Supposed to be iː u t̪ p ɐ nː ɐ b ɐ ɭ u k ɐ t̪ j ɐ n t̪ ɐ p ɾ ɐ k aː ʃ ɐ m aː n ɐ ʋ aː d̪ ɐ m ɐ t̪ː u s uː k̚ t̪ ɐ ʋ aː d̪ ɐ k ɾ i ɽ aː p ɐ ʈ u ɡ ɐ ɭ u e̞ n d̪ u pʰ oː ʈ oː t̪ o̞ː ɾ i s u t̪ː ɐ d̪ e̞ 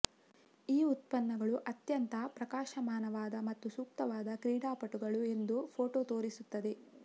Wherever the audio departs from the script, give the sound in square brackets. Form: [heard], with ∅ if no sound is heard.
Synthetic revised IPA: iː u t̪ p ɐ nː ɐ [ɡ] ɐ ɭ u [ʔ] ɐ t̪ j ɐ n t̪ ɐ p ɾ ɐ k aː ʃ ɐ m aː n ɐ ʋ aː d̪ ɐ m ɐ t̪ː u s uː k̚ t̪ ɐ ʋ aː d̪ ɐ k ɾ [iː] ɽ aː p ɐ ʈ u ɡ ɐ ɭ u e̞ n d̪ u pʰ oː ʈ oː t̪ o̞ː ɾ i s u t̪ː ɐ d̪ e̞